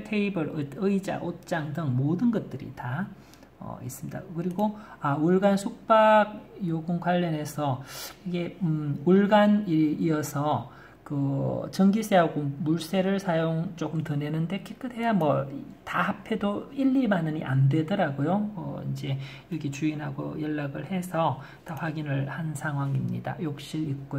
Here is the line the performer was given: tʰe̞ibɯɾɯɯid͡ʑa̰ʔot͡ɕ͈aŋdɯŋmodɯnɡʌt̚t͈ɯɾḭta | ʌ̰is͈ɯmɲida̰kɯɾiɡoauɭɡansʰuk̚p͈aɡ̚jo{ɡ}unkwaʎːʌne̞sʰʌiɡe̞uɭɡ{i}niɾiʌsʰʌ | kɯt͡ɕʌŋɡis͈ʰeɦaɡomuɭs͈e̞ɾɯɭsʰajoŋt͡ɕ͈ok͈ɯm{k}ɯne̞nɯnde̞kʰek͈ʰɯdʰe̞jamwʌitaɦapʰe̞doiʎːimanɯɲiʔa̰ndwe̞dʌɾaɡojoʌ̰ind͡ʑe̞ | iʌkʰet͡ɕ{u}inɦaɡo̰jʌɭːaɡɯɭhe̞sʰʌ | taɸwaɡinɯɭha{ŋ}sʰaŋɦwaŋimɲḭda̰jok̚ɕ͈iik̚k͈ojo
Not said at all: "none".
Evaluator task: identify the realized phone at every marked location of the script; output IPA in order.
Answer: ɡ, a, t, u, n

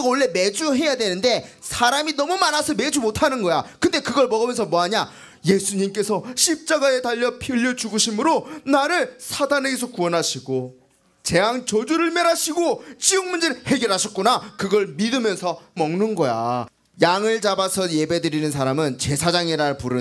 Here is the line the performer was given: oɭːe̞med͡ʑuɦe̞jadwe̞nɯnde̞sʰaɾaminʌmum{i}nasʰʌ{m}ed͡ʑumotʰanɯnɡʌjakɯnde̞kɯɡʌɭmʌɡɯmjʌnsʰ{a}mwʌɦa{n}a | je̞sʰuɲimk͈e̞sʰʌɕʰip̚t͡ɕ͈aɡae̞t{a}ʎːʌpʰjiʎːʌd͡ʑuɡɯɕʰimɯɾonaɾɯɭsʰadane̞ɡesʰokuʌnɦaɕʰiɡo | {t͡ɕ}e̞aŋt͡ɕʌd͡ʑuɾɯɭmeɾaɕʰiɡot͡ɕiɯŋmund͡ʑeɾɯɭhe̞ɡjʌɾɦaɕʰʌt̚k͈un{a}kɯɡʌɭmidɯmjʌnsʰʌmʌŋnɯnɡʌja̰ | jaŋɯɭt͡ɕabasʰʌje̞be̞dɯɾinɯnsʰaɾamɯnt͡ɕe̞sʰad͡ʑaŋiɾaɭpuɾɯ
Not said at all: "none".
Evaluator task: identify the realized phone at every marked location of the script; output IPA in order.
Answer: a, m, ʌ, ɲ, a, t͡ɕ, a

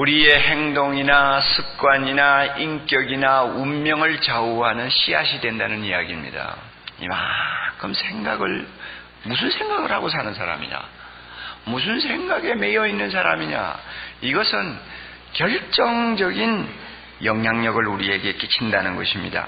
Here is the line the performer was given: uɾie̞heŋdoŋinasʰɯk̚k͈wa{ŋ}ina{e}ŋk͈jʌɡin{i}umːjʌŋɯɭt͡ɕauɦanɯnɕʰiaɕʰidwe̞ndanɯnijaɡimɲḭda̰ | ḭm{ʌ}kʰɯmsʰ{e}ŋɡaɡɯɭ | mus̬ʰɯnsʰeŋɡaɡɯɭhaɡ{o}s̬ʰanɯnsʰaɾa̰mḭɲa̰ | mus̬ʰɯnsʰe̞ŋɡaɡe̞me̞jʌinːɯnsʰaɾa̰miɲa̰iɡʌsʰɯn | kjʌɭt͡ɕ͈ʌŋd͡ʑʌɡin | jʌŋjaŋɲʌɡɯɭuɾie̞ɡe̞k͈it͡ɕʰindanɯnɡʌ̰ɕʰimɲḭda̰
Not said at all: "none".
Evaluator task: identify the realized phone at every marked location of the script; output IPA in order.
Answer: ɲ, i, a, a, e, o

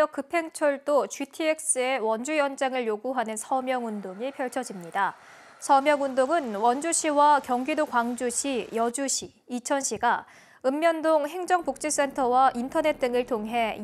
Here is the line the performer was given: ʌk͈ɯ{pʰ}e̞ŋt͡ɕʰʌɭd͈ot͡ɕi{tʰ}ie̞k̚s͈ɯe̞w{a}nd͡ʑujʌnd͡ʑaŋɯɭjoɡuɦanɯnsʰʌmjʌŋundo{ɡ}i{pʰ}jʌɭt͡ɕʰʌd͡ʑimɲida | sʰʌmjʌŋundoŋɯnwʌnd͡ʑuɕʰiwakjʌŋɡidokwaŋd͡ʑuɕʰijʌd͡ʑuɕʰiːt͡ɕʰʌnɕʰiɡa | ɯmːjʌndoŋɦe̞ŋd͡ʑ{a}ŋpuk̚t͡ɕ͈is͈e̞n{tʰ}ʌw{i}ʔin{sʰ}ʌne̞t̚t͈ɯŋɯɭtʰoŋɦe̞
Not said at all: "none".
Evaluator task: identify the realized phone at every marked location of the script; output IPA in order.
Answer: pʰ, tʰ, ʌ, ŋ, pʰ, ʌ, tʰ, a, tʰ

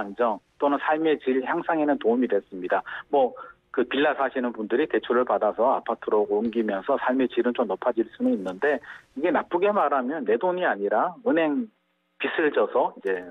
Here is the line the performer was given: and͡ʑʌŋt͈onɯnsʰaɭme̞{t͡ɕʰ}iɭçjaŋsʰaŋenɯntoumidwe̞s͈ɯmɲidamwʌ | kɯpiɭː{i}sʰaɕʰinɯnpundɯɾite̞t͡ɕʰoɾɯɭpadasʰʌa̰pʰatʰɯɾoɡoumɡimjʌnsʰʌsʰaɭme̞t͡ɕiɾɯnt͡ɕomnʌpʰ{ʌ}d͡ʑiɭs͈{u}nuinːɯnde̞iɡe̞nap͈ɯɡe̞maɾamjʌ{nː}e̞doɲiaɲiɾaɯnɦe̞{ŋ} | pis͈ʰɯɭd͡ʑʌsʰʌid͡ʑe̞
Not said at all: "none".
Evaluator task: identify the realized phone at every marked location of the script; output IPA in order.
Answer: t͡ɕ, a, a, u, nː, ŋ

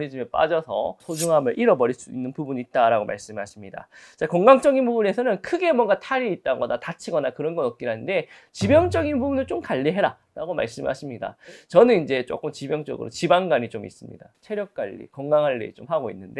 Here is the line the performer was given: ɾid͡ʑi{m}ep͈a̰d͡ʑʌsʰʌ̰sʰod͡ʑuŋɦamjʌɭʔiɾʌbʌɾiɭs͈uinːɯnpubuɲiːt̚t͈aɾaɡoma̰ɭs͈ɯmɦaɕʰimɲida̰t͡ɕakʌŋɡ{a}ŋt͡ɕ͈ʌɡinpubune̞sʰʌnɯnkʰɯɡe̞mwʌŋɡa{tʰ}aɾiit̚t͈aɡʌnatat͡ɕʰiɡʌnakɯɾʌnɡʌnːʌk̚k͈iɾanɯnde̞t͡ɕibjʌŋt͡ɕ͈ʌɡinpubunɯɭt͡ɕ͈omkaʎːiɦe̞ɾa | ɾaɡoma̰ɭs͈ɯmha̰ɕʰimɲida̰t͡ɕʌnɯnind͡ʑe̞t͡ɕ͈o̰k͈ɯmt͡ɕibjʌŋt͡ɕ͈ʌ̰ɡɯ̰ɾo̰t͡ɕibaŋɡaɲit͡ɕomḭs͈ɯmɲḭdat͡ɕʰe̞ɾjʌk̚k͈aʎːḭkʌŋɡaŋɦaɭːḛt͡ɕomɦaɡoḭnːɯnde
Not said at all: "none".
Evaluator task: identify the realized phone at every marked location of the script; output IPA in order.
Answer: m, a, tʰ

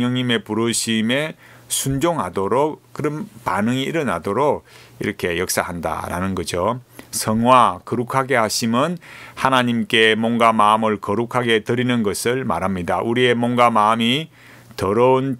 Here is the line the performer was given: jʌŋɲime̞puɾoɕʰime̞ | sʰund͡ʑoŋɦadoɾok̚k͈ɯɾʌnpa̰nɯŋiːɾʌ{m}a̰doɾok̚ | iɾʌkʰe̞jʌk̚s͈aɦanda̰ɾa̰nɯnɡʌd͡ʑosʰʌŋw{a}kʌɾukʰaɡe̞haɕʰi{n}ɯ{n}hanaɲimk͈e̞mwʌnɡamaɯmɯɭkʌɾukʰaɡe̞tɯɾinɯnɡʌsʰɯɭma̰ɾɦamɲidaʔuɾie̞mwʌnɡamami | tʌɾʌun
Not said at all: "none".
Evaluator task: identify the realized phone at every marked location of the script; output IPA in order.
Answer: n, a, m, n

